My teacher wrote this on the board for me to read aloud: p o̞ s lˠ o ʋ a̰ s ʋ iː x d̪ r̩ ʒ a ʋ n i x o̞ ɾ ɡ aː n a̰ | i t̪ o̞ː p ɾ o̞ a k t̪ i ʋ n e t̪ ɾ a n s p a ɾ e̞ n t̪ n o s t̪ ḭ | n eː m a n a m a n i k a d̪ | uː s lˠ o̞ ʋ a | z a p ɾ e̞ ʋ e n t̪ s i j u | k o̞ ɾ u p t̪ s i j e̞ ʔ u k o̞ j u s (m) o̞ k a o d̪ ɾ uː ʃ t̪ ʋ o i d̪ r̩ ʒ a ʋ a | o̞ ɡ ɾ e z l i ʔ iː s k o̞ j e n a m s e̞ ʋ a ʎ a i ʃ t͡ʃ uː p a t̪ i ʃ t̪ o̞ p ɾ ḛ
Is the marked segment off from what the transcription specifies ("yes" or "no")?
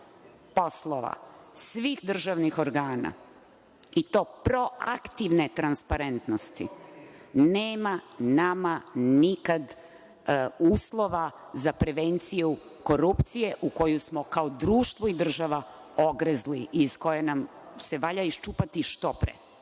no